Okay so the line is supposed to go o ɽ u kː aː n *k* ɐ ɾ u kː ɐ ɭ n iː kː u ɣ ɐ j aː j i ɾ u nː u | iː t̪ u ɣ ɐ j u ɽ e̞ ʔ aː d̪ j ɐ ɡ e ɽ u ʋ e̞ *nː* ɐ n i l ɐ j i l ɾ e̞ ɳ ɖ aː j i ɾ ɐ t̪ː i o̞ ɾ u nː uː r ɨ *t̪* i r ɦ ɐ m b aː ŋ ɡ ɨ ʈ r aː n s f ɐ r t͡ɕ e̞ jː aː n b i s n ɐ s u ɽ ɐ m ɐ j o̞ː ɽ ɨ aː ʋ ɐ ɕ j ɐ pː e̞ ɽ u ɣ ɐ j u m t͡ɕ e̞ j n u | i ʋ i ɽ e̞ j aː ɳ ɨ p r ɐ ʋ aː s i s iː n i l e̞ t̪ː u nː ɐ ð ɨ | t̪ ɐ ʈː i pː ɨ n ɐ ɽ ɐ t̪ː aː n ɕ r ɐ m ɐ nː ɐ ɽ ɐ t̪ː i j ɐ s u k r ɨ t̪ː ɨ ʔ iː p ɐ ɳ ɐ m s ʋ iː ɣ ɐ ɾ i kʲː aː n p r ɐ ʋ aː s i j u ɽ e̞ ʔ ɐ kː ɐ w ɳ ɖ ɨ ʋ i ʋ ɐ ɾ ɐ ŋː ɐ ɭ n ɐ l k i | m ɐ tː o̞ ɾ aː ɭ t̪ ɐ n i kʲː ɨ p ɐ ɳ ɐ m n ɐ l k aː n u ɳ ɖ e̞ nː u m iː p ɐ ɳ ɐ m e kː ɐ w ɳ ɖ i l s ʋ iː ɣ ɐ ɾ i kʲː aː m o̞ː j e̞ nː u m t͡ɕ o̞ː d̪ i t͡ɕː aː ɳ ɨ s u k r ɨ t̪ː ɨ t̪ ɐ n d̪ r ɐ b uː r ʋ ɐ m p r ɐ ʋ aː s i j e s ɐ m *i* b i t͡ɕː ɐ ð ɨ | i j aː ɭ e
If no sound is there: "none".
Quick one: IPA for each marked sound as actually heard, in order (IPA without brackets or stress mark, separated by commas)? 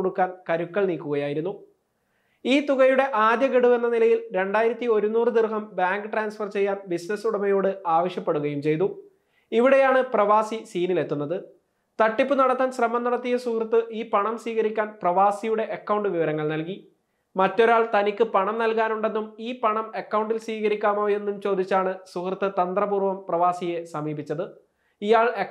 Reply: k, nː, d̪, iː